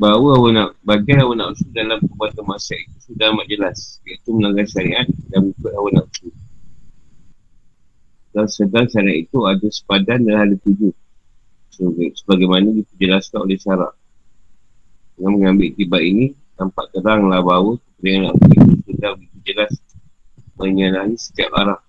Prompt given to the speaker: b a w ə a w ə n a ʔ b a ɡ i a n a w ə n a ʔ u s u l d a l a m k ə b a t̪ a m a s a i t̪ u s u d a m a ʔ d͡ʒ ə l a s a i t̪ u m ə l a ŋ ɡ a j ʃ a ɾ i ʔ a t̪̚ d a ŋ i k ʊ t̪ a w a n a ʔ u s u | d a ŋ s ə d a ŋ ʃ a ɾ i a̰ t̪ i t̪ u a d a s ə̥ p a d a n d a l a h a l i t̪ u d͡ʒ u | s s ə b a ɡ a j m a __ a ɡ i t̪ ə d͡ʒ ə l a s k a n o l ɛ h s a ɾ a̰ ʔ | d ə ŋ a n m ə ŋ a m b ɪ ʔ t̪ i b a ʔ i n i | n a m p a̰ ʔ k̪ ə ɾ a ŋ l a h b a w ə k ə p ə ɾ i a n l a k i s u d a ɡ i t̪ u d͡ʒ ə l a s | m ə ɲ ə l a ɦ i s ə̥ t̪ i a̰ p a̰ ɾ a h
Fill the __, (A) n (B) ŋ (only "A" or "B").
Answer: A